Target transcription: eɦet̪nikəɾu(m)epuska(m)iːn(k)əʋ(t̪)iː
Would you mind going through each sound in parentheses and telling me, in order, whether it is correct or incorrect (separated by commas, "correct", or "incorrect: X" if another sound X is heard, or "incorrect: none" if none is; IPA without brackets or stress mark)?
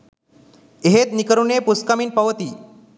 incorrect: n, correct, incorrect: p, correct